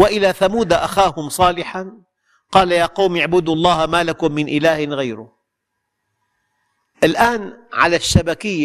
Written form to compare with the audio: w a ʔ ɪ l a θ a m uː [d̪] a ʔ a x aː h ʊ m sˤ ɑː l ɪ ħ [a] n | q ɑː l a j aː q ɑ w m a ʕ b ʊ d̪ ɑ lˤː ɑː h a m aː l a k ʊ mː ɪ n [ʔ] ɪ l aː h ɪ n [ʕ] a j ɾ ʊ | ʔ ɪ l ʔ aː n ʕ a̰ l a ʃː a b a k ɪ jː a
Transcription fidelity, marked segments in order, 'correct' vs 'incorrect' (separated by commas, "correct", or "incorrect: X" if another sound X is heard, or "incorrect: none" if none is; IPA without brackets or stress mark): correct, correct, correct, incorrect: ɣ